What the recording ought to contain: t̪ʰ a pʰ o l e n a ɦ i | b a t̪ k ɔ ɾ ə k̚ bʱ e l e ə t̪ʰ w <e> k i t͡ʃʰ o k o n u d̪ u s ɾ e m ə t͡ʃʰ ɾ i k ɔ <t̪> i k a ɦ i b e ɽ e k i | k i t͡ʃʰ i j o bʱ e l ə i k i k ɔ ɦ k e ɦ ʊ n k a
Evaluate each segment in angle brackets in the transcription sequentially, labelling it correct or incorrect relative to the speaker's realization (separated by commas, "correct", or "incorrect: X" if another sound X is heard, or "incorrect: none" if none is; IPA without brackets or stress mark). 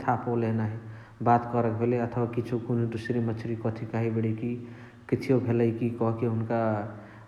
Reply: incorrect: a, incorrect: t̪ʰ